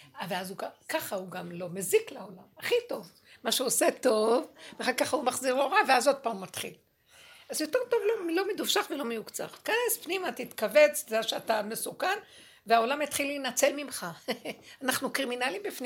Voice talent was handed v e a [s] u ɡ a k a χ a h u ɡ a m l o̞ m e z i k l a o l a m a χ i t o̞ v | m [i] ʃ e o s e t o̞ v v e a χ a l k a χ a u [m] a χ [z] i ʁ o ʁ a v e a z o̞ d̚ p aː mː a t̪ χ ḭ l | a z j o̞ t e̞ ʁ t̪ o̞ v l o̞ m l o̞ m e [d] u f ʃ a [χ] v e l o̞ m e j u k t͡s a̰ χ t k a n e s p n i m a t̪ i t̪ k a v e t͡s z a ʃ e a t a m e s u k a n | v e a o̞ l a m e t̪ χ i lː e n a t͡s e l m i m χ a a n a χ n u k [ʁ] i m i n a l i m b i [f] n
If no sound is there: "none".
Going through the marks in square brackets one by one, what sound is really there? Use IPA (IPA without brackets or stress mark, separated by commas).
z, a, m, z, d, χ, ʁ, f